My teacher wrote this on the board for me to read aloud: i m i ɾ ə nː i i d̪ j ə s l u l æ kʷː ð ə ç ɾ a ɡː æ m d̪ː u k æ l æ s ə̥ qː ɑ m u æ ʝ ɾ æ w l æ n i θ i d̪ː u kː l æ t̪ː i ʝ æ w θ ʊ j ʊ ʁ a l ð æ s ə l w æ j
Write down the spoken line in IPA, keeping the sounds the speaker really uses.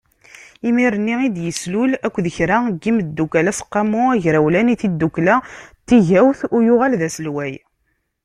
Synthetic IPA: i m i ɾ ə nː i i d̪ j ə s l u l æ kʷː ð ə ç ɾ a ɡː i m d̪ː u k æ l æ s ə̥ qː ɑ m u æ ʝ ɾ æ w l æ n i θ i d̪ː u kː l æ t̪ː i ʝ æ w θ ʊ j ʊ ʁ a l ð æ s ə l w æ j